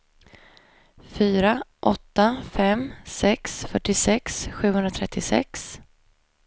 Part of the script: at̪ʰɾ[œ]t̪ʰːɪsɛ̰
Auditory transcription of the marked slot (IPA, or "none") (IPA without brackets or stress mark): ɛ